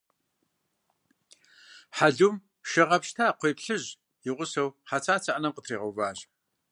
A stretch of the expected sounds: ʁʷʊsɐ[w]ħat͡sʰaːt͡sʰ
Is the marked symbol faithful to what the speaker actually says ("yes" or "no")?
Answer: yes